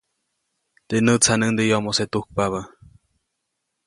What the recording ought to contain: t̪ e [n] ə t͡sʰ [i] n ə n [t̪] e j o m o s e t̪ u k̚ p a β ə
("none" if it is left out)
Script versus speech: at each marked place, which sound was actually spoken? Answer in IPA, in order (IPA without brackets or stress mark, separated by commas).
n, a, d̪